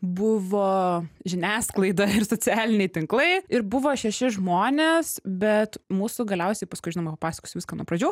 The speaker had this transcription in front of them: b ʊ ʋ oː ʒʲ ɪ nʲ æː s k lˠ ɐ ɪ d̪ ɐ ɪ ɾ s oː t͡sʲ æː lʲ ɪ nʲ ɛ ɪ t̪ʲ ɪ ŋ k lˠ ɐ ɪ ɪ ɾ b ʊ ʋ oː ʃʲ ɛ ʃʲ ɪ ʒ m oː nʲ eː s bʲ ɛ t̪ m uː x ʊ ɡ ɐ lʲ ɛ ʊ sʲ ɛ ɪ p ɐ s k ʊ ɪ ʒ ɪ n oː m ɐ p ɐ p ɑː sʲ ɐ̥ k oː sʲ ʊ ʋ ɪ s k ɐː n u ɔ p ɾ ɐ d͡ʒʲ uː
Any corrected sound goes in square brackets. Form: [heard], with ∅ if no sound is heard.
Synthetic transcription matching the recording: b ʊ ʋ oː ʒʲ ɪ nʲ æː s k lˠ ɐ ɪ d̪ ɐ ɪ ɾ s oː t͡sʲ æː lʲ ɪ nʲ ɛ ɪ t̪ʲ ɪ ŋ k lˠ ɐ ɪ ɪ ɾ b ʊ ʋ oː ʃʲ ɛ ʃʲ ɪ ʒ m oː nʲ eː s bʲ ɛ t̪ m uː [s] ʊ ɡ ɐ lʲ ɛ ʊ sʲ ɛ ɪ p ɐ s k ʊ ɪ ʒ ɪ n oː m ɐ p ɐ p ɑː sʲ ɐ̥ k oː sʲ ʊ ʋ ɪ s k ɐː n u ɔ p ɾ ɐ d͡ʒʲ uː